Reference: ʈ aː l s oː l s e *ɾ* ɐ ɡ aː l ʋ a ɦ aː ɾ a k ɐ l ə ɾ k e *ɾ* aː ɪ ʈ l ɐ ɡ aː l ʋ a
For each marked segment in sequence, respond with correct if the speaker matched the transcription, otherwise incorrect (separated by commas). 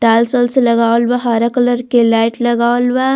incorrect, incorrect